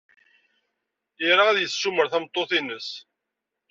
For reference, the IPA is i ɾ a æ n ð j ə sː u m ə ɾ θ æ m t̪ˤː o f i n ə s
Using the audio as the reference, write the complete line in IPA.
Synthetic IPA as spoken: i ɾ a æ ð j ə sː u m ə ɾ θ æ m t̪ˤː o θ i n ə s